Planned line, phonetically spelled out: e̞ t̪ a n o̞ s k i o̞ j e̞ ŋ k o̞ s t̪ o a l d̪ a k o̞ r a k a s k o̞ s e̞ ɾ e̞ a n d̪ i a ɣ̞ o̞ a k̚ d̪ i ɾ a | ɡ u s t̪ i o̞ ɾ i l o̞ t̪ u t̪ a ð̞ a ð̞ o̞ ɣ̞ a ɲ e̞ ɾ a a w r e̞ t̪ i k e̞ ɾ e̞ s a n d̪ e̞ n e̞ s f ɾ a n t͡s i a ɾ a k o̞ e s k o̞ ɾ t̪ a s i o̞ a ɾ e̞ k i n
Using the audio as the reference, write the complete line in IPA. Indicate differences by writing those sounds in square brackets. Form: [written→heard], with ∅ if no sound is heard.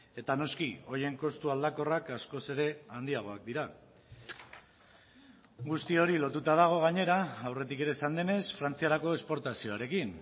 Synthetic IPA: e̞ t̪ a n o̞ s k i o̞ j e̞ ŋ k o̞ s t̪ [o→u] a l d̪ a k o̞ r a k a s k o̞ s e̞ ɾ e̞ a n d̪ i a ɣ̞ o̞ a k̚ d̪ i ɾ a | ɡ u s t̪ i o̞ ɾ i l o̞ t̪ u t̪ a ð̞ a [ð̞→ɣ̞] o̞ ɣ̞ a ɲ e̞ ɾ a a w r e̞ t̪ i k e̞ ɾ e̞ s a n d̪ e̞ n e̞ s f ɾ a n t͡s i a ɾ a k o̞ e s [k→p] o̞ ɾ t̪ a s i o̞ a ɾ e̞ k i n